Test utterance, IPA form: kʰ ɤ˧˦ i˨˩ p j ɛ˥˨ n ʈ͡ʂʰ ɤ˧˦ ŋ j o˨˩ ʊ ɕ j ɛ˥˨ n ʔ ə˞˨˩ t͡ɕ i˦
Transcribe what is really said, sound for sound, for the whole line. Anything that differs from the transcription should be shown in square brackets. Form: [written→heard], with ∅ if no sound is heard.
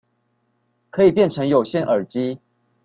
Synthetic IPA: kʰ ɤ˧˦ i˨˩ p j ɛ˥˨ n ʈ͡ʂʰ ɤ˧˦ ŋ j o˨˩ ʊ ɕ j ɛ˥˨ n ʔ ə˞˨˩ t͡ɕ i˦